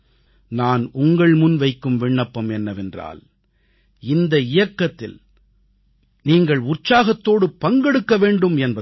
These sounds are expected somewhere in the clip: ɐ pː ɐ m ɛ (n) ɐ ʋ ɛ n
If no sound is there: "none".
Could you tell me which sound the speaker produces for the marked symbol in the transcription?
nː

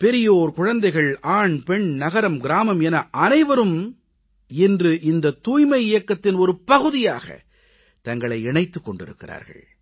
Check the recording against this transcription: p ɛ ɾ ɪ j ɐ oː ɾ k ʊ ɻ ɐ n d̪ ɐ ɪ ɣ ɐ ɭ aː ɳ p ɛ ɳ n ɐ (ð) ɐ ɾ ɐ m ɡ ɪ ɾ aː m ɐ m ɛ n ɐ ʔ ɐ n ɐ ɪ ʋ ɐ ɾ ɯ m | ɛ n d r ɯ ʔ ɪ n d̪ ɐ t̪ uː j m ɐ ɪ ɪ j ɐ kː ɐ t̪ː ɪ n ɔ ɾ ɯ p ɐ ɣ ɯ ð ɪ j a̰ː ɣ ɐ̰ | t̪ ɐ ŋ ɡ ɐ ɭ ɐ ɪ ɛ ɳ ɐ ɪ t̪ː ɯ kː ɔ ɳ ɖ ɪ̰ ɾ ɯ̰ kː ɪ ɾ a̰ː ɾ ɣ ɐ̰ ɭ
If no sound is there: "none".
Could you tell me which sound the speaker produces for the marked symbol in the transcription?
ɣ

